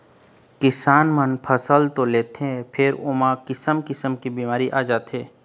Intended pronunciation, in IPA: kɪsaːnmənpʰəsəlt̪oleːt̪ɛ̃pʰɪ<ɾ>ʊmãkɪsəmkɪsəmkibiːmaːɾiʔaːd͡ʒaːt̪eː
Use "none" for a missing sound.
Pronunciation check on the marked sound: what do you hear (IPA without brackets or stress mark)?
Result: ɾ